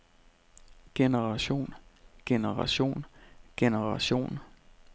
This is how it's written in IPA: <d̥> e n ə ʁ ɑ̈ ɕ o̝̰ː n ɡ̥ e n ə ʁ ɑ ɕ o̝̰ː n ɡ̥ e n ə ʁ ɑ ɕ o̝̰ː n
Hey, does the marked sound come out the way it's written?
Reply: no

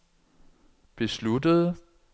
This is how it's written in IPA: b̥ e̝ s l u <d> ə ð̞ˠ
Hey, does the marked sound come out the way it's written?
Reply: yes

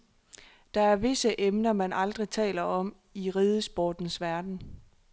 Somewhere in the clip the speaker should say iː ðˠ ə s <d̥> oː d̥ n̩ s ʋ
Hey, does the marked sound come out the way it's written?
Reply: no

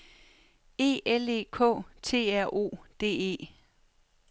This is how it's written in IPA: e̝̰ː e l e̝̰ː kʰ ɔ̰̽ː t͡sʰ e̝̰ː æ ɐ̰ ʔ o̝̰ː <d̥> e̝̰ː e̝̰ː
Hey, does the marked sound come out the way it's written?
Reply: yes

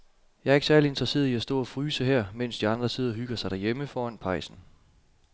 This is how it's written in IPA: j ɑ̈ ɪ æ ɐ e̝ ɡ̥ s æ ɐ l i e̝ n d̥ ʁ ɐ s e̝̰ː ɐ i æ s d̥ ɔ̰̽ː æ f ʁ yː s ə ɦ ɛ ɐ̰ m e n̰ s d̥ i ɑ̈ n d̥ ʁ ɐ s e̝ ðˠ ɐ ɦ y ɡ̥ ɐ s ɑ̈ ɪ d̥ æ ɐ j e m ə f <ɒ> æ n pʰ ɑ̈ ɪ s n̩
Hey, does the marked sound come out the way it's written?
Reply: no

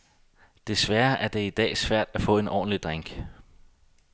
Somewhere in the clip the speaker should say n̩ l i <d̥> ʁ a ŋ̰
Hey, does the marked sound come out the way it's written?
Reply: yes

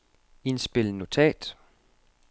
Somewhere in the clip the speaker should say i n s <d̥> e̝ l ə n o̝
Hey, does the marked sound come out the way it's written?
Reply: no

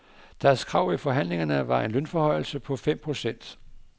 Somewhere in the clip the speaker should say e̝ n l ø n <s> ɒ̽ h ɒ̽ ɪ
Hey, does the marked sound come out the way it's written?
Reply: no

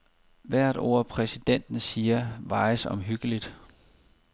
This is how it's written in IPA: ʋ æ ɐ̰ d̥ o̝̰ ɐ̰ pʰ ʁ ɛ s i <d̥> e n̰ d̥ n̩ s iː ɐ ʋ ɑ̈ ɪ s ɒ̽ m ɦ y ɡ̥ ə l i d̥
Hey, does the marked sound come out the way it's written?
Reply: yes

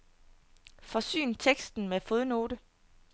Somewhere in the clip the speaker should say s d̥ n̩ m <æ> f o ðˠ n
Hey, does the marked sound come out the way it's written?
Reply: no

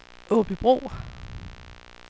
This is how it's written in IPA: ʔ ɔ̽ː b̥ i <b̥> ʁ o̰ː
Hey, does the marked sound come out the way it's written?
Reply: yes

